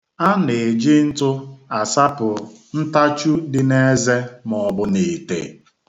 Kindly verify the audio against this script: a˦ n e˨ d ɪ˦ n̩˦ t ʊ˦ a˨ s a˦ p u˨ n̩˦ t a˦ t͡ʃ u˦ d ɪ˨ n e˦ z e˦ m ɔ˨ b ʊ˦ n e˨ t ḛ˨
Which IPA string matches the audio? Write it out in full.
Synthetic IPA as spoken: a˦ n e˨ d͡ʒ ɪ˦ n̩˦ t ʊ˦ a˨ s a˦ p ʊ˨ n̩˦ t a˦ t͡ʃ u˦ d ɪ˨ n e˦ z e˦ m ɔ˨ b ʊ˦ n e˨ t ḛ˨